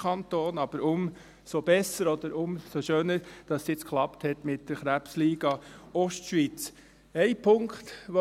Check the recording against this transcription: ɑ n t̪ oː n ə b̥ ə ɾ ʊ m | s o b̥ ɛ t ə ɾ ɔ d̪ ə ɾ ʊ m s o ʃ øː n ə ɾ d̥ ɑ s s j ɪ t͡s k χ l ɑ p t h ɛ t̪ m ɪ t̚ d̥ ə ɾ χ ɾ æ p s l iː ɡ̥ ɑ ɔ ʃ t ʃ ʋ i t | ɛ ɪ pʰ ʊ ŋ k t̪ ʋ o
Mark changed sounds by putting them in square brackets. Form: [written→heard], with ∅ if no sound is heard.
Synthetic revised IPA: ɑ n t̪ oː n [ə→ɑ] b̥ ə ɾ ʊ m | s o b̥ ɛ [t→s] ə ɾ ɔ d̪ ə ɾ ʊ m s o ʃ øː n ə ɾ d̥ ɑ s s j ɪ t͡s k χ l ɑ p t h ɛ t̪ m ɪ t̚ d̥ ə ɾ χ ɾ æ p s l iː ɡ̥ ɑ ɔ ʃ t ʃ ʋ i [t→t͡s] | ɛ ɪ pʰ ʊ ŋ k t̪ ʋ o